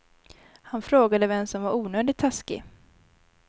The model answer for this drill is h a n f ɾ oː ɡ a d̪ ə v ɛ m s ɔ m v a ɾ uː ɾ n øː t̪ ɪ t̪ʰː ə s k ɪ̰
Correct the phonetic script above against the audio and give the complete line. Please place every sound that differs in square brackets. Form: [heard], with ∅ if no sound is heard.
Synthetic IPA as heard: h a n f ɾ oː ɡ a d̪ ə v ɛ m s ɔ m v a ɾ uː [∅] n øː [d̪] ɪ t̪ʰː [a] s k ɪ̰